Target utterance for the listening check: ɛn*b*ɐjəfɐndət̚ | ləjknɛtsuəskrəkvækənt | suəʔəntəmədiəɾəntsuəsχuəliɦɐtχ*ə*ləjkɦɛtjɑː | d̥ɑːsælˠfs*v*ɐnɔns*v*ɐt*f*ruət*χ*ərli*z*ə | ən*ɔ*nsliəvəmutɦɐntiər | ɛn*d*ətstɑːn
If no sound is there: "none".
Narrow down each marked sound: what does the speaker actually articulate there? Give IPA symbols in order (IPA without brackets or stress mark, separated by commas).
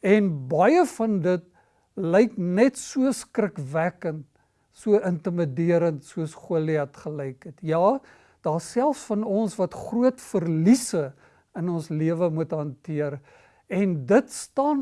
b, ə, f, v, χ, f, s, ɔ, d